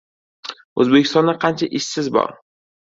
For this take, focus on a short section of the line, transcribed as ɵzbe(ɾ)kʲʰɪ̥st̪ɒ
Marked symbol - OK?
no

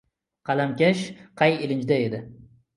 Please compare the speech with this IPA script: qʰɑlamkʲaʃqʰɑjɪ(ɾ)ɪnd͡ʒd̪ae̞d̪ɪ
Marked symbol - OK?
no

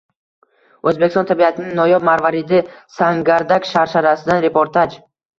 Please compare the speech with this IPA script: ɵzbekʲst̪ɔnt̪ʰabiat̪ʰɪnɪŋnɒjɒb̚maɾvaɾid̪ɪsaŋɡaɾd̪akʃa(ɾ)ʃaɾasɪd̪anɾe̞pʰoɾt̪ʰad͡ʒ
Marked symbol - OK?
yes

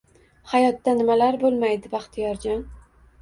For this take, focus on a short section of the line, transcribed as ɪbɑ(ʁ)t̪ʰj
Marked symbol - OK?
no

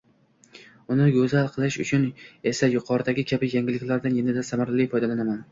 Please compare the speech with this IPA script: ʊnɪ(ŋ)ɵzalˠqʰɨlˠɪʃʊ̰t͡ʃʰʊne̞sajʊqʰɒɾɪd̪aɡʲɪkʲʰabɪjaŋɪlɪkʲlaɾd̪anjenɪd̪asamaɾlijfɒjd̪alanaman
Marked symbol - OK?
no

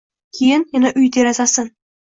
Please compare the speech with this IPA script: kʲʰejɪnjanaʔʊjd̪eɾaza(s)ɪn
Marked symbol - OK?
yes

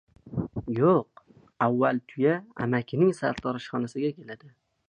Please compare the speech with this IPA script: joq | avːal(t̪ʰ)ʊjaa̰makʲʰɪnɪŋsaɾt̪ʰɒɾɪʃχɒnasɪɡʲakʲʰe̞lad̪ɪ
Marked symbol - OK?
yes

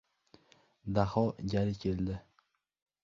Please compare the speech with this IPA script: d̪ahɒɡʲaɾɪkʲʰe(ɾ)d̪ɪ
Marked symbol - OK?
no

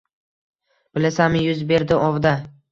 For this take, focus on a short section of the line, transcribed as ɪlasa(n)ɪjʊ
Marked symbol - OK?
no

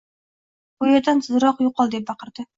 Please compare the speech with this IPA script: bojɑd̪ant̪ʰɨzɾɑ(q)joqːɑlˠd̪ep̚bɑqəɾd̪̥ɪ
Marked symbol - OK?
yes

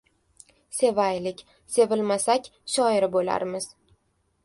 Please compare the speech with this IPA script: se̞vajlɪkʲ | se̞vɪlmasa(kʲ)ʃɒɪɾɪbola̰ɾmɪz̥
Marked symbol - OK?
yes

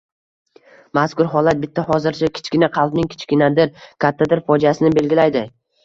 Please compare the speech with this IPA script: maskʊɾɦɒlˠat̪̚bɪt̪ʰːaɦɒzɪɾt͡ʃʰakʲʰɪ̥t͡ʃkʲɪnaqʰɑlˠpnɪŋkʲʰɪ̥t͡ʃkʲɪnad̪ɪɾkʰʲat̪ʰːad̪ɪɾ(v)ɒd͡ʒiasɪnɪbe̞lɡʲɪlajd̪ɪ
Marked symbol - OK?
no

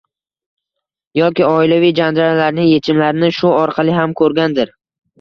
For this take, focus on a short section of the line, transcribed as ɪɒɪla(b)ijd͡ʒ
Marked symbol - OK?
no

